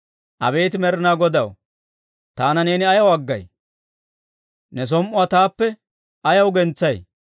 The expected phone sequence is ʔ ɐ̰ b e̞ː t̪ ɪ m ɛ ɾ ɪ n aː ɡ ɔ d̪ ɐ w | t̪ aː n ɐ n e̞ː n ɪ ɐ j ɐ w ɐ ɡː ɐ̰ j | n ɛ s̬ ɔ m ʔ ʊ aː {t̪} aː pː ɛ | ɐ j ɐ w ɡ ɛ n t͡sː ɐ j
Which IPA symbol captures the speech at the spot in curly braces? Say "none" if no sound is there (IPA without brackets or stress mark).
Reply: t̪